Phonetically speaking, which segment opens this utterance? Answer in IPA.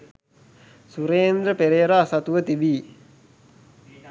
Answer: s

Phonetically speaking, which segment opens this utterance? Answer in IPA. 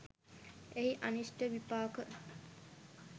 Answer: e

